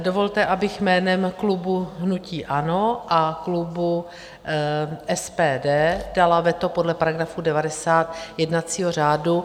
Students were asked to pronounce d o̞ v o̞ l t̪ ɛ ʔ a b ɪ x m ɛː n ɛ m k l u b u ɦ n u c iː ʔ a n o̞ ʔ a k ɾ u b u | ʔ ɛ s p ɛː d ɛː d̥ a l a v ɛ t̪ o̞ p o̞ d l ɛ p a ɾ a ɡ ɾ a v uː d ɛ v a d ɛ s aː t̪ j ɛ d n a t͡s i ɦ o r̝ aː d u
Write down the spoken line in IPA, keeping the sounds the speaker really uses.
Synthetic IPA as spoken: d o̞ v o̞ l t̪ ɛ ʔ a b ɪ x m ɛː n ɛ m k l u b u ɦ n u c iː ʔ a n o̞ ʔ a k l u b u | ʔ ɛ s p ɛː d ɛː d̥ a l a v ɛ t̪ o̞ p o̞ d l ɛ p a ɾ a ɡ ɾ a f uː d ɛ v a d ɛ s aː t̪ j ɛ d n a t͡s iː ɦ o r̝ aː d u